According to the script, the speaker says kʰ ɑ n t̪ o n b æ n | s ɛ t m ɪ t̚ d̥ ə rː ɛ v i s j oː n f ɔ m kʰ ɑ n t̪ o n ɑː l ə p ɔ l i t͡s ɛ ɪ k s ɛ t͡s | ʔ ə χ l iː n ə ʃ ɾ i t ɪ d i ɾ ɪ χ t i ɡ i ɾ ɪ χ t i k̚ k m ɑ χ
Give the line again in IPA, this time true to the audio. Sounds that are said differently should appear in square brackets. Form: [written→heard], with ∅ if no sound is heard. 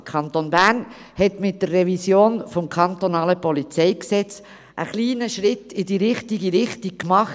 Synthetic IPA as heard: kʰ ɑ n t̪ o n b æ n | [s→h] ɛ t m ɪ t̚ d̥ ə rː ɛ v i s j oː n f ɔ m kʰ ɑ n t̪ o n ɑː l ə p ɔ l i t͡s ɛ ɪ k s ɛ t͡s | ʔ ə χ l iː n ə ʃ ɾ [i→ɪ] t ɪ d i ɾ ɪ χ t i ɡ i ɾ ɪ χ t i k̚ k m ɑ χ